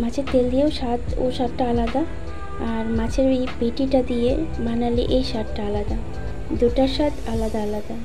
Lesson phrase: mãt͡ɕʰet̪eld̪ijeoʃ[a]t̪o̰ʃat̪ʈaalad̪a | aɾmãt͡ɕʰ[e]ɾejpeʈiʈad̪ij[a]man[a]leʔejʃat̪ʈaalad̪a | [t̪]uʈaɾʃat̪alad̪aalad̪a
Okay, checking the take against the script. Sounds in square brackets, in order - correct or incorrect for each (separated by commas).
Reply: correct, correct, incorrect, correct, incorrect